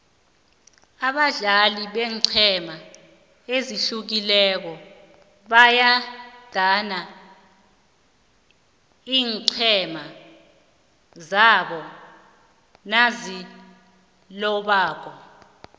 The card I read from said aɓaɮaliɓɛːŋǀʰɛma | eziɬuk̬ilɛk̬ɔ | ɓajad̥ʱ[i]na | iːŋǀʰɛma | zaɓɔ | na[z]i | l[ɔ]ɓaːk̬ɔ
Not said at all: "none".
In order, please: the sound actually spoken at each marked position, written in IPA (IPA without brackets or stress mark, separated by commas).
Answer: a, z, ɔ